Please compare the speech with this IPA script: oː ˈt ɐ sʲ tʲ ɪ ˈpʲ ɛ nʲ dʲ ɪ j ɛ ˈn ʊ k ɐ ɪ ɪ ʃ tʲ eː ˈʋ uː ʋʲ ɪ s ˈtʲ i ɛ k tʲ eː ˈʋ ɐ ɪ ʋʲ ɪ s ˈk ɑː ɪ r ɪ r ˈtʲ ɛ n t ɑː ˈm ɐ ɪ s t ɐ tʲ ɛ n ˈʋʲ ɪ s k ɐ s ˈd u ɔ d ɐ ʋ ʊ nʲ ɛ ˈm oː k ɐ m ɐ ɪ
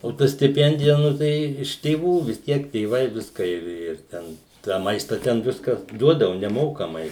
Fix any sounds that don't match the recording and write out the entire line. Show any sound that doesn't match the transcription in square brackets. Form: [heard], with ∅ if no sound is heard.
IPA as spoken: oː ˈt ɐ sʲ tʲ ɪ ˈpʲ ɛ nʲ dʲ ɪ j ɛ ˈn ʊ [t] ɐ ɪ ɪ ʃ tʲ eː ˈʋ uː ʋʲ ɪ s ˈtʲ i ɛ k tʲ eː ˈʋ ɐ ɪ ʋʲ ɪ s ˈk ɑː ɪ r ɪ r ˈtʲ ɛ n t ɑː ˈm ɐ ɪ s t ɐ tʲ ɛ n ˈʋʲ ɪ s k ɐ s ˈd u ɔ d ɐ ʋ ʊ nʲ ɛ ˈm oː k ɐ m ɐ ɪ